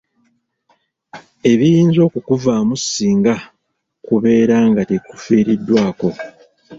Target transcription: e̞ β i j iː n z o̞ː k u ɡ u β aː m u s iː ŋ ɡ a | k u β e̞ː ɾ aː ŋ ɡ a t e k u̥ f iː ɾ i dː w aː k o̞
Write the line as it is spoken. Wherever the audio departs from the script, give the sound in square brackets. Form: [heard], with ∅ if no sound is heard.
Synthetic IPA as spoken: e̞ β i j iː n z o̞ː k u [k] u [v] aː m u s iː ŋ ɡ a | k u β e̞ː ɾ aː ŋ ɡ a t e k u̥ f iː ɾ i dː w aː k o̞